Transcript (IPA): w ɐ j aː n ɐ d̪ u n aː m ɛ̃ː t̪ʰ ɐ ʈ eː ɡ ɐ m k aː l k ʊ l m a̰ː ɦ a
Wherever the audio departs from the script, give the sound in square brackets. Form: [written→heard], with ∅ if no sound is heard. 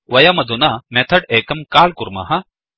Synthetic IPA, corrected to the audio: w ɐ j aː [n→m] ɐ d̪ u n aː m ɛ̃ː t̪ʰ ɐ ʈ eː [ɡ→k] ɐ m k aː l k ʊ [l→ɾ] m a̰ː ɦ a